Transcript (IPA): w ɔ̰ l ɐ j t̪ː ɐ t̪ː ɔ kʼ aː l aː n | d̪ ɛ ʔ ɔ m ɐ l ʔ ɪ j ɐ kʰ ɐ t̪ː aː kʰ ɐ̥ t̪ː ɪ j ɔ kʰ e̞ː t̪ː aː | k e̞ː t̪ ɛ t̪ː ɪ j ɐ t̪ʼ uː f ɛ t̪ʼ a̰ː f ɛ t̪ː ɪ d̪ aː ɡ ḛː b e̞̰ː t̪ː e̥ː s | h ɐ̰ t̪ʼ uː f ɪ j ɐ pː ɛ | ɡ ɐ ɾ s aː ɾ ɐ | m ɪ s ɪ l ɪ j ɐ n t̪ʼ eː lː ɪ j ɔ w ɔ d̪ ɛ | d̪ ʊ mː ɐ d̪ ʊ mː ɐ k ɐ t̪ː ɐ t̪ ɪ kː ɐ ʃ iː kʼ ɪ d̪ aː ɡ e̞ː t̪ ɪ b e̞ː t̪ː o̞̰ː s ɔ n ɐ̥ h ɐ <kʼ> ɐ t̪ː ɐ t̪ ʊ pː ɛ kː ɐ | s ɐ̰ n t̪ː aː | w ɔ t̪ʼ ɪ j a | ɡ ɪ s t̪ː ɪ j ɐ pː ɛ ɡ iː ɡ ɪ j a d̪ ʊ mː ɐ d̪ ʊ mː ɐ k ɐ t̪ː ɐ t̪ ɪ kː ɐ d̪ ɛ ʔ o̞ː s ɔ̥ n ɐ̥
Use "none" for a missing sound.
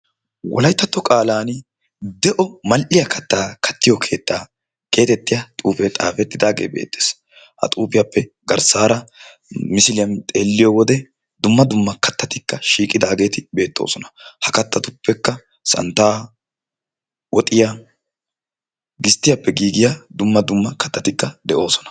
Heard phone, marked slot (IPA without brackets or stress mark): k